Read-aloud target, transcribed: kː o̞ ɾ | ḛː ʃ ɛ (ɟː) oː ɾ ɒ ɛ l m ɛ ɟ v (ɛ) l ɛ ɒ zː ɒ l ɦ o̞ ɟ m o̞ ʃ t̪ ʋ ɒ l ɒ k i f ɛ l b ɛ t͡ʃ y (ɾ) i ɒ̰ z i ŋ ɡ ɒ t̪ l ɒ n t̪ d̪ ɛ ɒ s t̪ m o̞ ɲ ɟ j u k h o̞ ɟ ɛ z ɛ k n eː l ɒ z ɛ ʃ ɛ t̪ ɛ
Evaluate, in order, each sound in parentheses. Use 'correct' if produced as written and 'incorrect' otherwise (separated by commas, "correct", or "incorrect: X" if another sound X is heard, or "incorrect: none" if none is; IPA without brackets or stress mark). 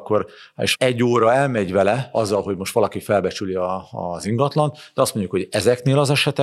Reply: correct, correct, incorrect: l